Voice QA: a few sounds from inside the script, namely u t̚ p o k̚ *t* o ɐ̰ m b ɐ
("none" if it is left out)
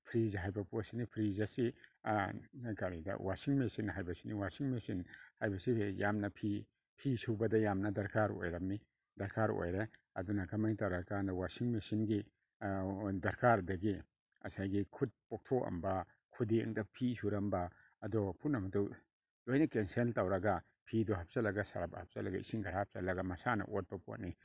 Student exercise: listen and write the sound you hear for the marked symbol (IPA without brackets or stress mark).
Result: tʰ